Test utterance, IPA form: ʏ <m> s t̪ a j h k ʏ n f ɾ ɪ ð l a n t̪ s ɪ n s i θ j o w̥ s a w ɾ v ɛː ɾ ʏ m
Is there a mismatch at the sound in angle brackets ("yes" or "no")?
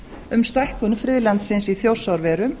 no